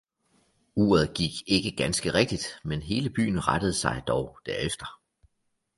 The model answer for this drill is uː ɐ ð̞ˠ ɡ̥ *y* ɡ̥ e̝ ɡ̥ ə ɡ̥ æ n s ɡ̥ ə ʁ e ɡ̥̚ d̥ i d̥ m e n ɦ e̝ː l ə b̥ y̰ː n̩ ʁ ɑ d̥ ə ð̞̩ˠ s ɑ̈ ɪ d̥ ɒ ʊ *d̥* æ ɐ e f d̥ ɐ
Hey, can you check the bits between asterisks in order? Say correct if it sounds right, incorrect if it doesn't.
incorrect: i, correct

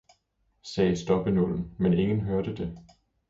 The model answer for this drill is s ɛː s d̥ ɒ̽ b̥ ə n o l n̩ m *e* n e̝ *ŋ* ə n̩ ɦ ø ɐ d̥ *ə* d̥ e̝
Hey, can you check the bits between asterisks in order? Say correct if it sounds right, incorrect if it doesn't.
correct, correct, correct

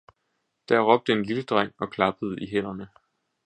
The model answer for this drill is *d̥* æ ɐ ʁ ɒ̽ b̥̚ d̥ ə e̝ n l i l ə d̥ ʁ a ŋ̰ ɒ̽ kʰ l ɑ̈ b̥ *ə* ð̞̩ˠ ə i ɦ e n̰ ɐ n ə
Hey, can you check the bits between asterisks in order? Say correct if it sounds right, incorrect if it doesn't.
correct, correct

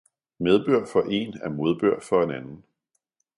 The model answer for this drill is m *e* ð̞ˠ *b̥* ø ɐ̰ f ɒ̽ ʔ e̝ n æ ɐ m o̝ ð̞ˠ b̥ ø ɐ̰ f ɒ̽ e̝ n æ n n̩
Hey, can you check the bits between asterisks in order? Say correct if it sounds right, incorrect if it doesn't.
correct, correct

